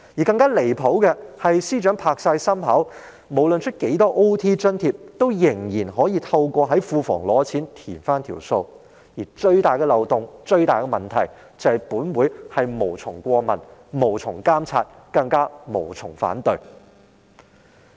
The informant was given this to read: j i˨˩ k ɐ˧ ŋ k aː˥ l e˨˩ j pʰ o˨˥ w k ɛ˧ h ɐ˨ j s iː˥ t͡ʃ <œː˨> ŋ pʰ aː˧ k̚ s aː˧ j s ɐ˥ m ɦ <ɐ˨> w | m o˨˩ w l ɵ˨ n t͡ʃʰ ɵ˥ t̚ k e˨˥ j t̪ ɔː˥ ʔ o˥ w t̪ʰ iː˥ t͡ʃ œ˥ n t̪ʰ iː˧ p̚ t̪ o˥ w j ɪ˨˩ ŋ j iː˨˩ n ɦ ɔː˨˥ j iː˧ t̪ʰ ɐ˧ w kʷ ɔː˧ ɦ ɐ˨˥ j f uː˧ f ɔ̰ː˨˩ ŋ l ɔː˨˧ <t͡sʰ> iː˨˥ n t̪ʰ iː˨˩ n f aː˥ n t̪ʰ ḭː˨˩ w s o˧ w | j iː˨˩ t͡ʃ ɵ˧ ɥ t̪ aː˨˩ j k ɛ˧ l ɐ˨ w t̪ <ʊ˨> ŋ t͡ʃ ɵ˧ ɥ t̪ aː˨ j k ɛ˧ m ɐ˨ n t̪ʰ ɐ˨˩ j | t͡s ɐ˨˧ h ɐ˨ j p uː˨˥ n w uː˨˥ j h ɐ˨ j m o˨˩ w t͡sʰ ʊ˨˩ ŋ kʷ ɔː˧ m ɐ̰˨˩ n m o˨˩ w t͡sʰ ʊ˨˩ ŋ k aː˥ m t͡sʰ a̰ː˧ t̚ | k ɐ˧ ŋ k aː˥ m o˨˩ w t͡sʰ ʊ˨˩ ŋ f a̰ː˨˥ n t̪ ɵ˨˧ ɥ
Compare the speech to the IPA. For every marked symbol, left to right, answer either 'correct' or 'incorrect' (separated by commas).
incorrect, incorrect, correct, correct